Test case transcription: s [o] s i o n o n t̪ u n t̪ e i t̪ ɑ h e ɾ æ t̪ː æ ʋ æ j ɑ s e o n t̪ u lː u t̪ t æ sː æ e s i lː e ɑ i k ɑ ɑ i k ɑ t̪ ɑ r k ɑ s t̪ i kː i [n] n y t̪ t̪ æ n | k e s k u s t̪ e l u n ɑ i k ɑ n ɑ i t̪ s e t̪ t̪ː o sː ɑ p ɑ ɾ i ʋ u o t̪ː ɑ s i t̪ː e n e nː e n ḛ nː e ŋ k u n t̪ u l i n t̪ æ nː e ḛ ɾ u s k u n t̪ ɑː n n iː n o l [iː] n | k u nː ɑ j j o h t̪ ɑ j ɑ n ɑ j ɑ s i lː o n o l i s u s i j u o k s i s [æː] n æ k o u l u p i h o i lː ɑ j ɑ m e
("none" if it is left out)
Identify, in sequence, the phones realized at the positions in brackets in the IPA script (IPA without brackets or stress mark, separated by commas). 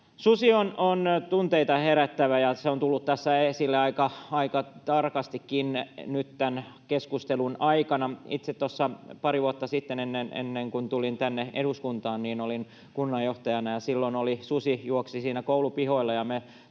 u, n, i, iː